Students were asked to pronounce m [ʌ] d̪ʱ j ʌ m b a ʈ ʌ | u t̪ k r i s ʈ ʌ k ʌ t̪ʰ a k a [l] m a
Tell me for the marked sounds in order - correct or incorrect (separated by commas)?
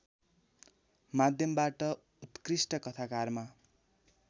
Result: incorrect, incorrect